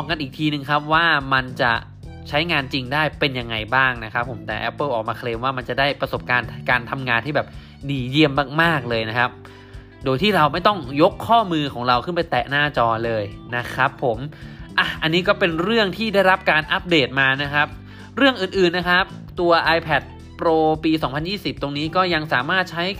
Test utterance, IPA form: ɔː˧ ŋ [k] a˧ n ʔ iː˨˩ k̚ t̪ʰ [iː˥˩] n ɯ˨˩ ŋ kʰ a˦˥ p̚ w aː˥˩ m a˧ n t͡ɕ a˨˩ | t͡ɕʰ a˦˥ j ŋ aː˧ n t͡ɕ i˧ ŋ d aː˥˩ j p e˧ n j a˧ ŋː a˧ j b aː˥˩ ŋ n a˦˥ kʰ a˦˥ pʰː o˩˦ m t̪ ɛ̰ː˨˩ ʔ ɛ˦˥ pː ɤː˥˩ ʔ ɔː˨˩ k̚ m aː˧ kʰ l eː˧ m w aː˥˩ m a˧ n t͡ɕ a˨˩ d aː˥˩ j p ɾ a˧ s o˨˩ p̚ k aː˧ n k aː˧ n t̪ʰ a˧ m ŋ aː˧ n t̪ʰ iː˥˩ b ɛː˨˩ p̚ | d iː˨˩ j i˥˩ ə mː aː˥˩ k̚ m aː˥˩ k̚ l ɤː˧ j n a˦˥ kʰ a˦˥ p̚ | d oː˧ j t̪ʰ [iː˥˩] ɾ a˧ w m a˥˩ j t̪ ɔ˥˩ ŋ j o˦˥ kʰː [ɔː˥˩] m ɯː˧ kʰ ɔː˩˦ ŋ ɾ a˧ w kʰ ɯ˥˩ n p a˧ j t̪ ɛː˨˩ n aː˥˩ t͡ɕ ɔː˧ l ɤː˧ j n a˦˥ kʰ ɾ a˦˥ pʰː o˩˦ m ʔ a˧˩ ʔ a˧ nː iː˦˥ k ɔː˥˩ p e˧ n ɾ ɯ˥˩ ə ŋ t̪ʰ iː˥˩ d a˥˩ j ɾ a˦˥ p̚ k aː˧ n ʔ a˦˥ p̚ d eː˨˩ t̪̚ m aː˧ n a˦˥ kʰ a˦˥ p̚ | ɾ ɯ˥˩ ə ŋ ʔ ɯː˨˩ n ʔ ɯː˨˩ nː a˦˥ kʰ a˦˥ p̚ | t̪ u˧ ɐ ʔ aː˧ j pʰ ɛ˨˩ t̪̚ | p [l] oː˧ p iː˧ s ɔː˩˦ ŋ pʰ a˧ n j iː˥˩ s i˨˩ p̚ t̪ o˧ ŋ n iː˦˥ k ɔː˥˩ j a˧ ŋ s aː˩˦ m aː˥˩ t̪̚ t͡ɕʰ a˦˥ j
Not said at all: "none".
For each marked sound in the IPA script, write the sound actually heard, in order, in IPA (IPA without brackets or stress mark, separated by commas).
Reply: k, iː˧, iː˥˩, ɔː˥˩, ɾ